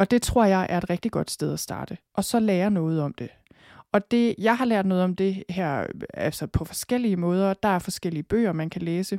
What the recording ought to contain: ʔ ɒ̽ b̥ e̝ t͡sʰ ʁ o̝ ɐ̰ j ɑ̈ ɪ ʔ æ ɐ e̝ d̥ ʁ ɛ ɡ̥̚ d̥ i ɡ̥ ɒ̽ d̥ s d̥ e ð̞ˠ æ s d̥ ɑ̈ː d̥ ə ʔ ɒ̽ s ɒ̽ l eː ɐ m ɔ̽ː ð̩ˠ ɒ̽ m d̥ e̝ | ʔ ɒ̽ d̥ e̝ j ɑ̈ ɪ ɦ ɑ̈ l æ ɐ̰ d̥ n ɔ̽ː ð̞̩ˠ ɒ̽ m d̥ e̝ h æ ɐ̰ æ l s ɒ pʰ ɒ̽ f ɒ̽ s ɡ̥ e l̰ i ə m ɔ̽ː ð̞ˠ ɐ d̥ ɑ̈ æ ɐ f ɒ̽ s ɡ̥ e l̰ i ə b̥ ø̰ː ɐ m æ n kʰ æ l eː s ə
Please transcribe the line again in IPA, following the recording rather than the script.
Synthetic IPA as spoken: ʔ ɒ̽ d̥ e̝ t͡sʰ ʁ o̝ ɐ̰ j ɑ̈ ɪ ʔ æ ɐ e̝ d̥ ʁ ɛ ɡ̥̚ d̥ i ɡ̥ ɒ̽ d̥ s d̥ e ð̞ˠ æ s d̥ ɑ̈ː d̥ ə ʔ ɒ̽ s ɒ̽ l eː ɐ n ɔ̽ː ð̩ˠ ɒ̽ m d̥ e̝ | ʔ ɒ̽ d̥ e̝ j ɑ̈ ɪ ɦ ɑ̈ l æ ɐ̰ d̥ n ɔ̽ː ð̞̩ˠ ɒ̽ m d̥ e̝ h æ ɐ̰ æ l s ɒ pʰ ɒ̽ f ɒ̽ s ɡ̥ e l̰ i ə m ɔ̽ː ð̞ˠ ɐ d̥ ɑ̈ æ ɐ f ɒ̽ s ɡ̥ e l̰ i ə b̥ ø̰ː ɐ m æ n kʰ æ l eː s ə